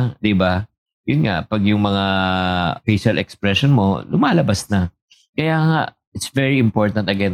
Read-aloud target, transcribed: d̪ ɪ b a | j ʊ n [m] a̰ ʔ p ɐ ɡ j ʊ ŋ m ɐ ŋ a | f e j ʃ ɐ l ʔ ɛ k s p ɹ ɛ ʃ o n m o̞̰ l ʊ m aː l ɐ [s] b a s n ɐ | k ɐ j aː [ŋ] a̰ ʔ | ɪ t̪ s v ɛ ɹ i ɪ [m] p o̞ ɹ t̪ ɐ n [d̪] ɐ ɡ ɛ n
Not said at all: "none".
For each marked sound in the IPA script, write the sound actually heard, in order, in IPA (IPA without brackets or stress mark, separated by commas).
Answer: ŋ, none, ŋ, m, t̪